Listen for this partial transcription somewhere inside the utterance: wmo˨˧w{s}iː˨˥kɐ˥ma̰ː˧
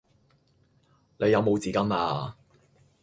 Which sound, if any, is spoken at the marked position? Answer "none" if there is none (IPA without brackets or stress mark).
t͡s